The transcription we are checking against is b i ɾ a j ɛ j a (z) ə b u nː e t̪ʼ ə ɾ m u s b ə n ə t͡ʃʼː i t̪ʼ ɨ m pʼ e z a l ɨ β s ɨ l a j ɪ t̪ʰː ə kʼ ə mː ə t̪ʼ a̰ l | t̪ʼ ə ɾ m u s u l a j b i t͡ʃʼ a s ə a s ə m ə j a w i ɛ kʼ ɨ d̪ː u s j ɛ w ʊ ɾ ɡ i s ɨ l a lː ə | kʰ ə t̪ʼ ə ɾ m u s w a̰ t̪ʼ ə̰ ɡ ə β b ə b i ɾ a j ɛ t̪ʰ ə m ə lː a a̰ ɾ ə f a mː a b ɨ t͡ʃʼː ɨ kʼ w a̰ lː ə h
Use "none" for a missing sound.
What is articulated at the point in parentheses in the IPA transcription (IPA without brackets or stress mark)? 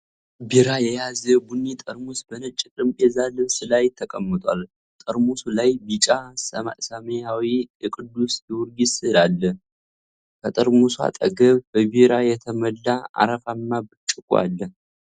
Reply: z